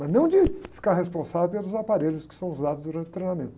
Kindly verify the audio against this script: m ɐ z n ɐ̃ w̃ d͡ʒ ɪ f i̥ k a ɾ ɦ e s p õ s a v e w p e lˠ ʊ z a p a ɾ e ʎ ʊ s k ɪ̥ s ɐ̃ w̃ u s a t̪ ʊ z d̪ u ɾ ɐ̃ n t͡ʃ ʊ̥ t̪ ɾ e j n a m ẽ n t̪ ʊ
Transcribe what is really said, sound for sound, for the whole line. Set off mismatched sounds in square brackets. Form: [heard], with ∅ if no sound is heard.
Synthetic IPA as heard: m ɐ z n ɐ̃ w̃ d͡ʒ ɪ f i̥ k a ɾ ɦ e s p õ s a v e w p e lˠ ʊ z a p a ɾ e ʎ ʊ s k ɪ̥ s ɐ̃ w̃ u [z] a [d̪] ʊ z d̪ u ɾ ɐ̃ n t͡ʃ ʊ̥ t̪ ɾ e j n a m ẽ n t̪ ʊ